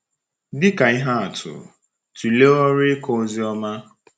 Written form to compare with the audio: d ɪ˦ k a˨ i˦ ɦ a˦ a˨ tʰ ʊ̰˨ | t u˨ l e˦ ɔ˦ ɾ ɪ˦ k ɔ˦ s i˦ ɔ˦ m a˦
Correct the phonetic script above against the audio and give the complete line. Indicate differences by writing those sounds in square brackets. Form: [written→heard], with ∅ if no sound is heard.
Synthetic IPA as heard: d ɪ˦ k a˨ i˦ ɦ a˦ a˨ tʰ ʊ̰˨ | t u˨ l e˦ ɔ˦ ɾ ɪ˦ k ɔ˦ [s→z] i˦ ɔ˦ m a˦